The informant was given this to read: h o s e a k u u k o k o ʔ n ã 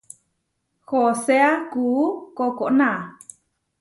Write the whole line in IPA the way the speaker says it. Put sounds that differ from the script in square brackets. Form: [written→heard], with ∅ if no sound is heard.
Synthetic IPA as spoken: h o s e a k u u k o k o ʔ n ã